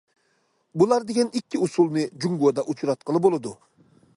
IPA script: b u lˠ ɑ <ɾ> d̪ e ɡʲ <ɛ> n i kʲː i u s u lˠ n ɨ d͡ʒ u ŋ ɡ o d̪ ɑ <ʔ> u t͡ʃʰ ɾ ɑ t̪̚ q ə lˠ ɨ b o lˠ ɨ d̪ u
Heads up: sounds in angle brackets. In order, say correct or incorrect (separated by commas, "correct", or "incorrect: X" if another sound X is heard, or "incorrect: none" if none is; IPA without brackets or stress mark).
correct, correct, correct